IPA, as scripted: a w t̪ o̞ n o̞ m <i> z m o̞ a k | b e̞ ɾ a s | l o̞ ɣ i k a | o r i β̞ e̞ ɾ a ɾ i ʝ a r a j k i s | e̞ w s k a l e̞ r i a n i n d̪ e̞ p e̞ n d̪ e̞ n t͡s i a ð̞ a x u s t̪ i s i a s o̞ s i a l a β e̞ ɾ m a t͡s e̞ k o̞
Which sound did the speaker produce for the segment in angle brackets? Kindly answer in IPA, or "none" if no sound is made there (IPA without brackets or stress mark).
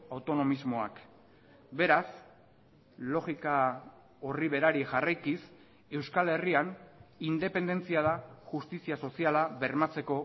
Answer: i